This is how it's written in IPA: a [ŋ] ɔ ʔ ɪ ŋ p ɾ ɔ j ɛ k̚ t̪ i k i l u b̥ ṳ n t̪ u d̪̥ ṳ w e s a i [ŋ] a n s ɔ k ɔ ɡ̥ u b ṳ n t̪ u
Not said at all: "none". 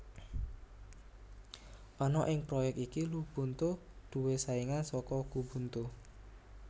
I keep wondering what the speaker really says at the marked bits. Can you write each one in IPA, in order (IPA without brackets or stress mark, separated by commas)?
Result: n, ŋ